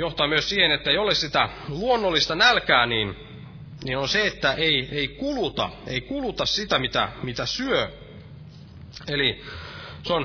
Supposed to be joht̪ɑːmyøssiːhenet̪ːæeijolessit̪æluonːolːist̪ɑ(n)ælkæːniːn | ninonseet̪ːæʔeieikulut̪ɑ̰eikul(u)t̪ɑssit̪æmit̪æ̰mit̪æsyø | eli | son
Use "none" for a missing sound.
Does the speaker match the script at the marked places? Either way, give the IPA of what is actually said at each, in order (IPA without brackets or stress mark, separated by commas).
n, u